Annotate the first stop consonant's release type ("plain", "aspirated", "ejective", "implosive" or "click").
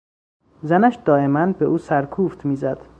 plain